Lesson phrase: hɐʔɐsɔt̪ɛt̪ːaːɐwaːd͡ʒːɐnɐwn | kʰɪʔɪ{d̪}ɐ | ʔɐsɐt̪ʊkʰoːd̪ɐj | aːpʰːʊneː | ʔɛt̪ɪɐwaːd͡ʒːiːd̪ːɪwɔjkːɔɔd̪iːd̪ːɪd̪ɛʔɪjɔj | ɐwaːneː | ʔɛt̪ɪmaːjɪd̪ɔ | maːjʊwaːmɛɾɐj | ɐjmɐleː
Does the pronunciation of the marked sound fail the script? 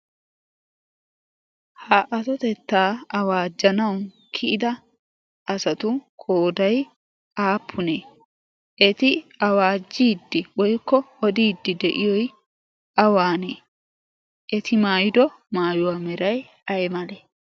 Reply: no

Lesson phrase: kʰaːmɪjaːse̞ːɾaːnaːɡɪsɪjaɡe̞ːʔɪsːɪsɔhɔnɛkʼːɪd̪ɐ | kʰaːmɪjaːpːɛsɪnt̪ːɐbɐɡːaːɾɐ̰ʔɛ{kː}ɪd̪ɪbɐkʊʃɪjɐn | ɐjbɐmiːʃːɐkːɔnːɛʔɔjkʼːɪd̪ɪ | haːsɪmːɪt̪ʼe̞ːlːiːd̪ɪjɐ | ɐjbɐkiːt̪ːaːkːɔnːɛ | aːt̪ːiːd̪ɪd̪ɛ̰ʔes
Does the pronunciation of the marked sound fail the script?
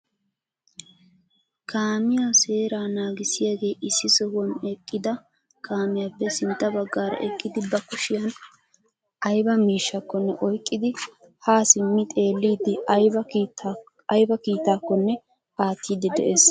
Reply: yes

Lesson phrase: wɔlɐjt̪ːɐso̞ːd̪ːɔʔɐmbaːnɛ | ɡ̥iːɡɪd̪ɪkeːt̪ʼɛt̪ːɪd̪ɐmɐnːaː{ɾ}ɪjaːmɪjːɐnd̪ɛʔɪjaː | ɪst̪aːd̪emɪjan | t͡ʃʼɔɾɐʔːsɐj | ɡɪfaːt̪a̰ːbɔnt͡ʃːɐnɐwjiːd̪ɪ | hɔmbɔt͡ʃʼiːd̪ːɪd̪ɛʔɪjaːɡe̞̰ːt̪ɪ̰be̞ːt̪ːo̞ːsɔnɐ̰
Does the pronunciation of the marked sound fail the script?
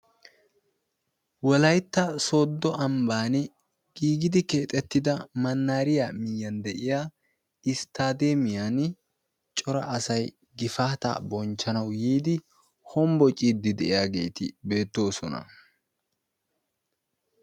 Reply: no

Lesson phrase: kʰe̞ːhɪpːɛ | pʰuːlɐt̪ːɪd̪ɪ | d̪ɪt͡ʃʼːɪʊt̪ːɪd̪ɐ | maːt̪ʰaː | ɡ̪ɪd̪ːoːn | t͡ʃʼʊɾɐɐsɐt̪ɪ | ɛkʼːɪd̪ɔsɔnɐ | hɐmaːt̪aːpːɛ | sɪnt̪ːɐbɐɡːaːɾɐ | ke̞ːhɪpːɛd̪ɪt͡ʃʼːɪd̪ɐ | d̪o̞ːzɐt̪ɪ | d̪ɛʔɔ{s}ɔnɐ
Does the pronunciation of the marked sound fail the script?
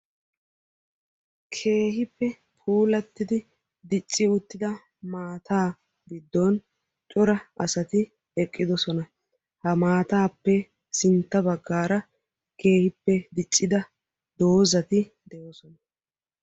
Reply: no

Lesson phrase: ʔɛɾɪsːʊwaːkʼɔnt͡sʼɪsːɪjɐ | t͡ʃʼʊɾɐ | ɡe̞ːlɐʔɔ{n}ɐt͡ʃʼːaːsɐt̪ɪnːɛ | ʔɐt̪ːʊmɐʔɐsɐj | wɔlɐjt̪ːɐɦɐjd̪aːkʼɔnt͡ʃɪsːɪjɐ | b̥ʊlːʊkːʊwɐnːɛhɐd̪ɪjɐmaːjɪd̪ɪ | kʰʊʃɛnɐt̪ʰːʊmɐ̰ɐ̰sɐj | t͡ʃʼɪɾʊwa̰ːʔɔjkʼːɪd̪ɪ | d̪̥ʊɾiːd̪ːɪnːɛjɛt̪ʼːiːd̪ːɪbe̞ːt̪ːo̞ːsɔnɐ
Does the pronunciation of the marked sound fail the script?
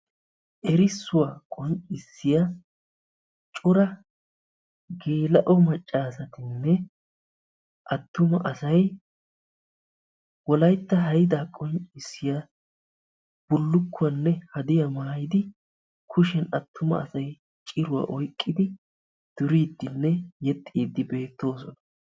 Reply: yes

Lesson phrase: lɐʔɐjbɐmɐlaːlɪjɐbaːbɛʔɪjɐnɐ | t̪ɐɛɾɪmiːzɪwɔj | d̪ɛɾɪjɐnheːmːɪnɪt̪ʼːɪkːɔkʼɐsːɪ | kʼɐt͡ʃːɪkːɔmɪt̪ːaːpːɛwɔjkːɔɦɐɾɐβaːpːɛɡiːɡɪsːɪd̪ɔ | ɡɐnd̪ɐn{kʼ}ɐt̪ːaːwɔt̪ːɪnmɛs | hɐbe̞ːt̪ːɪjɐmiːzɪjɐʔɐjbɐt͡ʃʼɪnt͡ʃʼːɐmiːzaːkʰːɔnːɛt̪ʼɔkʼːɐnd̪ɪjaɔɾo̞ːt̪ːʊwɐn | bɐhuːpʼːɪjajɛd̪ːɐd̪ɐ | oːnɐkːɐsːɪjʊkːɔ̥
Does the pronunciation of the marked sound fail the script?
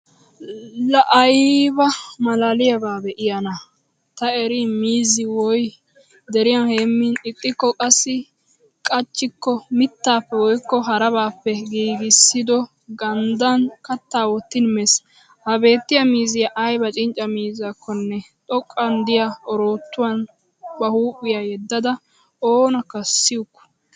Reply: yes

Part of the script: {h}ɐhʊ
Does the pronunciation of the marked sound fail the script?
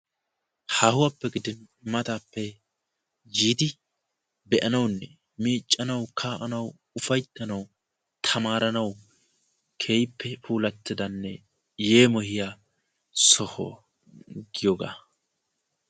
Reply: no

